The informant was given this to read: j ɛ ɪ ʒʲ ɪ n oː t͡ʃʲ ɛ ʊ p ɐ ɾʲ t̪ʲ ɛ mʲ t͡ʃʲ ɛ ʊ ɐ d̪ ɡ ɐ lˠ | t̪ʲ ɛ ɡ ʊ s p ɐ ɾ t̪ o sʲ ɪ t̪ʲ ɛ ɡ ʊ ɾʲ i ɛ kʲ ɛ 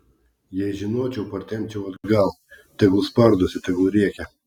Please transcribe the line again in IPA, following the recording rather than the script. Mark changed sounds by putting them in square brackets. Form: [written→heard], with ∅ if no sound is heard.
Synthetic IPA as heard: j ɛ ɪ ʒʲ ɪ n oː t͡ʃʲ ɛ ʊ p ɐ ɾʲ t̪ʲ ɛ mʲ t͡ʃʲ ɛ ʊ ɐ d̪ ɡ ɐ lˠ | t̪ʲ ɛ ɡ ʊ s p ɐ ɾ [t̪→d̪] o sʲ ɪ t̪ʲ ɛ ɡ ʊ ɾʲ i ɛ kʲ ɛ